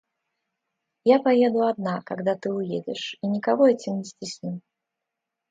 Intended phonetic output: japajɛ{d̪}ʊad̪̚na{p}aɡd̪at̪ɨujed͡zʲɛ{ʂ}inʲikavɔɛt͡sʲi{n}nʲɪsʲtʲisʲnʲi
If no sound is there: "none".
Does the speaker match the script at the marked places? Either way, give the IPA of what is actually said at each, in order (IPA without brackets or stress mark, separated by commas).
d̪, k, ʂ, m